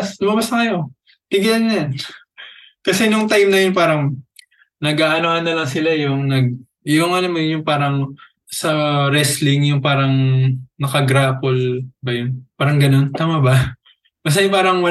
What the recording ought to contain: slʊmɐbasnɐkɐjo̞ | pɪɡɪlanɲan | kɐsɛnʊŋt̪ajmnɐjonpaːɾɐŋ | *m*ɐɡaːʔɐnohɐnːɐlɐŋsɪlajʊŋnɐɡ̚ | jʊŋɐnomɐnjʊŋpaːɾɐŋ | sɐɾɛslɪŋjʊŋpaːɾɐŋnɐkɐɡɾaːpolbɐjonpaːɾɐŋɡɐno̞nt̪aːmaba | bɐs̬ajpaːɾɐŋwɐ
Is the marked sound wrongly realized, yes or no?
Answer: yes